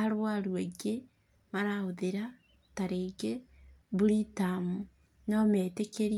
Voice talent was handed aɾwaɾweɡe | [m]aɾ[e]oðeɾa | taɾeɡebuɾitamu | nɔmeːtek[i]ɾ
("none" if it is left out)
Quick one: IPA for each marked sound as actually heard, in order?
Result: m, a, e

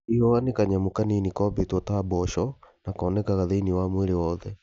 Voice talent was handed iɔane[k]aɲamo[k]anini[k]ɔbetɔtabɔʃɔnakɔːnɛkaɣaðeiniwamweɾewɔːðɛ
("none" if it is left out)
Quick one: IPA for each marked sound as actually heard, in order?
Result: k, k, k

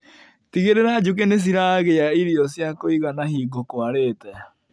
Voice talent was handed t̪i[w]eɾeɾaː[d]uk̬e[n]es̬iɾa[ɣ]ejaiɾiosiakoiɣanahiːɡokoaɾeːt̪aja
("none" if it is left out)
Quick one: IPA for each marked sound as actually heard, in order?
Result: ɣ, d͡ʒ, n, ɣ

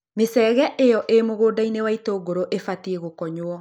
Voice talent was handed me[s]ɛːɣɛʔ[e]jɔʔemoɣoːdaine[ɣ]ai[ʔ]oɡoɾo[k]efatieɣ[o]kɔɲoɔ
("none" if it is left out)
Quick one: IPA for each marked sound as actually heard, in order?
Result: s, e, w, t, ʔ, o

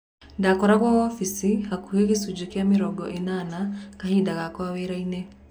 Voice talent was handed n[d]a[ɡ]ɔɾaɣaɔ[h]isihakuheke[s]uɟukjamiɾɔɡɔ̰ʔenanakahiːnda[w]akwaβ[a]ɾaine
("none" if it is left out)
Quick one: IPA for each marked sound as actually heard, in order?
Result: d, k, f, s, ɣ, e

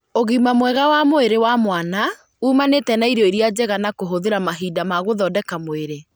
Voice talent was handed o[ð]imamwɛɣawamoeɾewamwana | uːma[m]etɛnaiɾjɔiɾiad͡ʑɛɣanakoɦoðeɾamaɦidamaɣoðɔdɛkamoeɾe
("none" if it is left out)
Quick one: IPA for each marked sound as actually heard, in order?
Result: ɣ, n

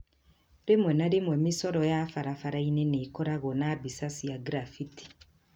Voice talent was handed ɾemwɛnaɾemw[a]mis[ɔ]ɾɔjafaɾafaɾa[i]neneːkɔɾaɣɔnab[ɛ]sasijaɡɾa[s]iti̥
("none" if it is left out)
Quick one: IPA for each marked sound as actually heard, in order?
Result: ɛ, ɔ, i, i, f

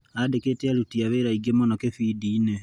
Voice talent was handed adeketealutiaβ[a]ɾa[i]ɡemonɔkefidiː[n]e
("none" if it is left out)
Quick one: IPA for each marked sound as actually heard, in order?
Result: e, i, n

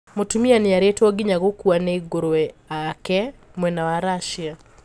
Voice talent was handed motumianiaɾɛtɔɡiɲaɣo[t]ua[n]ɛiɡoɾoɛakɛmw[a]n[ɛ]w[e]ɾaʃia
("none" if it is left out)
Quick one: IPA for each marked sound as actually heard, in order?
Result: k, n, ɛ, a, a

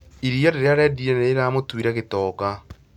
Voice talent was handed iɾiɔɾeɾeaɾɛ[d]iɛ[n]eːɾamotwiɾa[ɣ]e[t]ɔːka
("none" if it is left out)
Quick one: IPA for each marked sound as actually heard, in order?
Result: d, n, ɣ, t

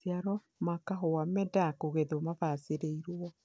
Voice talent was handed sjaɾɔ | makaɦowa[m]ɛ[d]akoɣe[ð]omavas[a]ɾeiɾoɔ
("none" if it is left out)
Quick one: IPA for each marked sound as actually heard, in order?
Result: m, d, ð, e

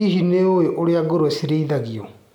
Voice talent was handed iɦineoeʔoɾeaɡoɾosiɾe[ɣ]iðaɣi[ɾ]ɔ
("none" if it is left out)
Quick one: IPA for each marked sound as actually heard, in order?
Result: none, none

